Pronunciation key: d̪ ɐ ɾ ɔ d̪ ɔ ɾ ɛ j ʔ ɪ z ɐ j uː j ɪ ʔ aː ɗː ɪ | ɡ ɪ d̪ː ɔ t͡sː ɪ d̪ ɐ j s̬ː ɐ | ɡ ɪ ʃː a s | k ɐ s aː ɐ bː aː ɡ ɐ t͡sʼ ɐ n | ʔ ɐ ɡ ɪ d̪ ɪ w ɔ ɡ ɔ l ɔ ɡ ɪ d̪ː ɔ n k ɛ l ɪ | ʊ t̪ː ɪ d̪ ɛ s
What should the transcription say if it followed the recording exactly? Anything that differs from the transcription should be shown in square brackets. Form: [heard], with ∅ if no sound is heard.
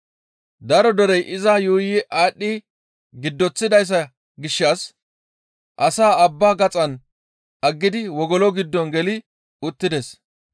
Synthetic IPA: d̪ ɐ ɾ ɔ d̪ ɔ ɾ ɛ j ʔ ɪ z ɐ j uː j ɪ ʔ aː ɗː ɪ | ɡ ɪ d̪ː ɔ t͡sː ɪ d̪ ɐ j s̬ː ɐ | ɡ ɪ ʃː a s | [ʔ] ɐ s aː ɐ bː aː ɡ ɐ t͡sʼ ɐ n | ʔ ɐ [ɡː] ɪ d̪ ɪ w ɔ ɡ ɔ l ɔ ɡ ɪ d̪ː ɔ n [ɡ] ɛ l ɪ | ʊ t̪ː ɪ d̪ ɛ s